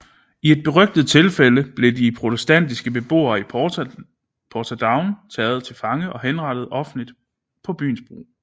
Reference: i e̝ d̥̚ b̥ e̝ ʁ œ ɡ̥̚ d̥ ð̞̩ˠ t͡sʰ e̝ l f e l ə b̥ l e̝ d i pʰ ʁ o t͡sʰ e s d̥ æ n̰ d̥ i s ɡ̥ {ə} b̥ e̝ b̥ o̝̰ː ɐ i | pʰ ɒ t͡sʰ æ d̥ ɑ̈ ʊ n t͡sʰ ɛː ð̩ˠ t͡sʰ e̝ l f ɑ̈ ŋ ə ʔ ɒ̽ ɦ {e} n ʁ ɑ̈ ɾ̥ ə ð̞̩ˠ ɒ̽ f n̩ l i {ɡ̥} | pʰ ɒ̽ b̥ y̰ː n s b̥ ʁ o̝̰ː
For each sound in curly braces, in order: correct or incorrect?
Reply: correct, correct, incorrect: d̥

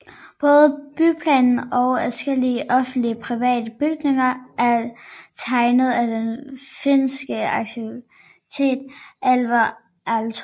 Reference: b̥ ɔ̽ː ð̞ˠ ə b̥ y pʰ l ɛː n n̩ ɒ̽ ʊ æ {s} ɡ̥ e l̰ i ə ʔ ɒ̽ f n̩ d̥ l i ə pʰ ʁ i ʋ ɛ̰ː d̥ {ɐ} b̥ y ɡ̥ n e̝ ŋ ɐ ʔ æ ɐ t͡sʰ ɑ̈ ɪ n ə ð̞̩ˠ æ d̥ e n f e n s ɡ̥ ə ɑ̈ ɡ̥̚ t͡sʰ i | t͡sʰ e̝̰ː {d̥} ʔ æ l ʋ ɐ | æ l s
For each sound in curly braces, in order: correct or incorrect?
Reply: correct, incorrect: ə, correct

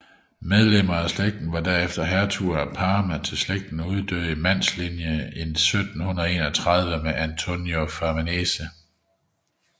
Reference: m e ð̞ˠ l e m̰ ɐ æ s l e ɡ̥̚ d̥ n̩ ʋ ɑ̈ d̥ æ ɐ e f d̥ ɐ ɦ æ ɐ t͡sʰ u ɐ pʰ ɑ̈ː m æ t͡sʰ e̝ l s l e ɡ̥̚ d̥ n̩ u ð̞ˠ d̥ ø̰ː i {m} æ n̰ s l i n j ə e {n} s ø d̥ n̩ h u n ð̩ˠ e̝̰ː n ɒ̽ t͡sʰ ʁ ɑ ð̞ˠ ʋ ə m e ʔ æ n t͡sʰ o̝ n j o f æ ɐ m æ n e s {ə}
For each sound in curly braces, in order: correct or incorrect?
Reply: correct, correct, correct

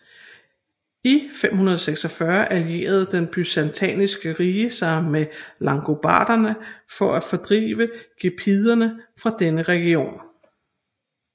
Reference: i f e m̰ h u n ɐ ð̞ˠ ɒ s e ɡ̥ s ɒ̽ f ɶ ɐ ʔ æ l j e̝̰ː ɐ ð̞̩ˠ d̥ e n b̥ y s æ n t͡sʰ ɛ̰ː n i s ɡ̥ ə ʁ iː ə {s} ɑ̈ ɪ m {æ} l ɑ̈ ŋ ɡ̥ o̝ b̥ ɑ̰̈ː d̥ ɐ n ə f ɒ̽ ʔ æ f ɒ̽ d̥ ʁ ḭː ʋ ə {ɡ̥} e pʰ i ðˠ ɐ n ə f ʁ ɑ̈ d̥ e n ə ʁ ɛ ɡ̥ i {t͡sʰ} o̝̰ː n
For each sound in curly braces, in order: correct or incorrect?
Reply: correct, incorrect: e, correct, incorrect: none

